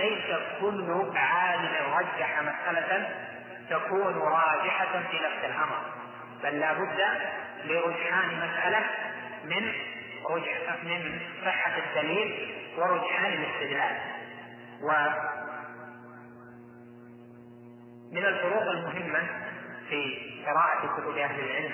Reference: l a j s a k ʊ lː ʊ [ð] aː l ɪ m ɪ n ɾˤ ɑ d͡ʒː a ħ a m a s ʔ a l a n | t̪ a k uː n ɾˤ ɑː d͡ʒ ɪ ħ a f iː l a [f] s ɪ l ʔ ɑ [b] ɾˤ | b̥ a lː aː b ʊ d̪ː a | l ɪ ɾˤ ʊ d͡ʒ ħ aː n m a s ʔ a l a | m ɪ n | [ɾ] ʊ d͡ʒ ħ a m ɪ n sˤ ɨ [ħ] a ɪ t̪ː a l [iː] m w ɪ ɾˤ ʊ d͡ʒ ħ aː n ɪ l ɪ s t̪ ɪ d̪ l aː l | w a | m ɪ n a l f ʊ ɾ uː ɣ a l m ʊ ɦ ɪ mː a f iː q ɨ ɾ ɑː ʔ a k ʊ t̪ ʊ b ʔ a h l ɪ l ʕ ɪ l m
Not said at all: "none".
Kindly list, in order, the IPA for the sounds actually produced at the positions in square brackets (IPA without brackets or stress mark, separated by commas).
ʕ, f, m, ɾ, ħː, iː